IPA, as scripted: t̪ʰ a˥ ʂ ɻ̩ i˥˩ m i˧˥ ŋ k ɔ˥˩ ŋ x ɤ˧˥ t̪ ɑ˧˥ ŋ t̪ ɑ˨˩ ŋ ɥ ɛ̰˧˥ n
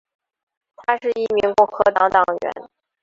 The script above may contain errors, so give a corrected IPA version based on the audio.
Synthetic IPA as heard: t̪ʰ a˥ ʂ ɻ̩ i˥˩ m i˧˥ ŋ k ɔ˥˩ ŋ x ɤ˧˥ t̪ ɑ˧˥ ŋ t̪ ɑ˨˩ ŋ ɥ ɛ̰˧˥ n